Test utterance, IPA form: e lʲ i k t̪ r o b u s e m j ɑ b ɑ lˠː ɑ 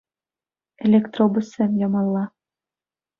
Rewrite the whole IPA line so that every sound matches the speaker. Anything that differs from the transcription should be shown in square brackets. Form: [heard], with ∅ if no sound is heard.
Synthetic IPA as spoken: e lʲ [e] k t̪ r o b u s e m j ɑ [m] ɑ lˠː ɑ